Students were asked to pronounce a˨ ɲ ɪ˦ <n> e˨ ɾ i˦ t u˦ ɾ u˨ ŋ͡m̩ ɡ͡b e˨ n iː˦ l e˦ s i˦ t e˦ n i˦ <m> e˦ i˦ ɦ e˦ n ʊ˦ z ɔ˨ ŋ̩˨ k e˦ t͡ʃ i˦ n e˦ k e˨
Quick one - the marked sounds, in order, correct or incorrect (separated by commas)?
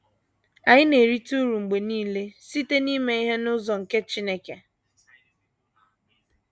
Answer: correct, correct